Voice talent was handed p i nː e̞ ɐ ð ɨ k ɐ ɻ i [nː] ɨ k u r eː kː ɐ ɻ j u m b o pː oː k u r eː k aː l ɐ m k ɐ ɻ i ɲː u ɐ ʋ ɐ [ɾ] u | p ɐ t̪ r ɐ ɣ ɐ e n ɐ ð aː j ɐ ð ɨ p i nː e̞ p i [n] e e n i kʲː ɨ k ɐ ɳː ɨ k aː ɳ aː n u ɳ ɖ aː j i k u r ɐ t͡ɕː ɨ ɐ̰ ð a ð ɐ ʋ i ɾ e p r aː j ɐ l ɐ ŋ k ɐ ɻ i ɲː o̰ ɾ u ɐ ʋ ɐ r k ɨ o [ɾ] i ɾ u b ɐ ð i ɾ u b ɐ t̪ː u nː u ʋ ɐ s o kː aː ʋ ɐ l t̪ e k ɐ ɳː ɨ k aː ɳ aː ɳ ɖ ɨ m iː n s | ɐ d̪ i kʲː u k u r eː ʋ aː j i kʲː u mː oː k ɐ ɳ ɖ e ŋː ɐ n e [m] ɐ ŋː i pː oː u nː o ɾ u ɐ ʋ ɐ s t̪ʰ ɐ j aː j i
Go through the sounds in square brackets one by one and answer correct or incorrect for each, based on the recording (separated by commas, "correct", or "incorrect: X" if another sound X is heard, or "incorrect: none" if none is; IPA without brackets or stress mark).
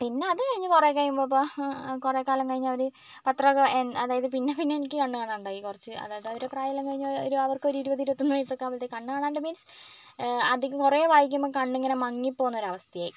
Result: incorrect: ɲː, correct, incorrect: nː, correct, correct